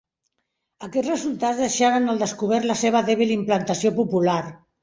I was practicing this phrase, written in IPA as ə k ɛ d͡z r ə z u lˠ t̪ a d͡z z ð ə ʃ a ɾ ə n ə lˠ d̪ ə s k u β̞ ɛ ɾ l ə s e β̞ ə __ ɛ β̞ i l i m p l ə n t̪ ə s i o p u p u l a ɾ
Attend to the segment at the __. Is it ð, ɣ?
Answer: ð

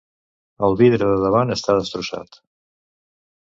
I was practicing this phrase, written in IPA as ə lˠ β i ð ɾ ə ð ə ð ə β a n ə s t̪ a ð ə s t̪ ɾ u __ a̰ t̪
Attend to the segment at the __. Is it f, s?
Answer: s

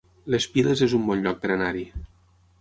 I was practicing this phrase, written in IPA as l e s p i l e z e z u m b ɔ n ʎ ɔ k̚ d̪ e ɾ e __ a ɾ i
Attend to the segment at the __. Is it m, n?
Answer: n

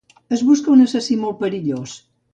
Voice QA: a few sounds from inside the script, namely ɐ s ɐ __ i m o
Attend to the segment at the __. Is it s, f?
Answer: s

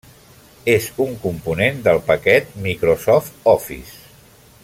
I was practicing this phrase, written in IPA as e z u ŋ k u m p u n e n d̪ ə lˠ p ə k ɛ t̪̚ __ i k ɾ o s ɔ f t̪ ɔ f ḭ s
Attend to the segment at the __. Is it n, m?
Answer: m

